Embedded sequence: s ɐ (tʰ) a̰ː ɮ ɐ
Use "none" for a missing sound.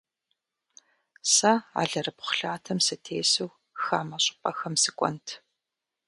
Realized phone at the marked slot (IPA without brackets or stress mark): none